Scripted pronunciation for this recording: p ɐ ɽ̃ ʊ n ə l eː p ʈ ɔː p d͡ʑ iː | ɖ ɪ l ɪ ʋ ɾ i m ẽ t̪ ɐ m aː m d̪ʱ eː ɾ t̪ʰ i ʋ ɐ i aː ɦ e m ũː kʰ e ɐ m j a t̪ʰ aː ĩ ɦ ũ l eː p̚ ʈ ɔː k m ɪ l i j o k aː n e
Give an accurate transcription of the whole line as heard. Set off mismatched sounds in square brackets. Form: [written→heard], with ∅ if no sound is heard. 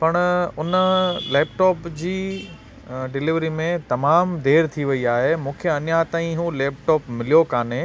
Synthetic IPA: p ɐ ɽ̃ ʊ n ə l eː p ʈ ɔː p d͡ʑ iː | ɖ ɪ l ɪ ʋ ɾ i m ẽ t̪ ɐ m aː m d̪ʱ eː ɾ t̪ʰ i ʋ ɐ i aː ɦ e m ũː kʰ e ɐ [m→n] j a [t̪ʰ→t̪] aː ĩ ɦ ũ l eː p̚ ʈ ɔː [k→p] m ɪ l i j o k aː n e